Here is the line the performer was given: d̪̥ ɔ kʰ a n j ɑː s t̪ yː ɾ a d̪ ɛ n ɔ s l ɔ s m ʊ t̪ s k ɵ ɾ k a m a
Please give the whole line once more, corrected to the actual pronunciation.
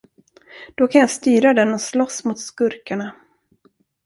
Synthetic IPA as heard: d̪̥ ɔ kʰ a n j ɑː s t̪ yː ɾ a d̪ ɛ n ɔ s l ɔ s m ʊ t̪ s k ɵ ɾ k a ɳ a